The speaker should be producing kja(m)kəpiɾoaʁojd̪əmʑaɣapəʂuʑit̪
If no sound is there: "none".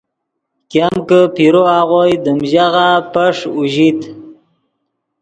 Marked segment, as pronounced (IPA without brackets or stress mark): m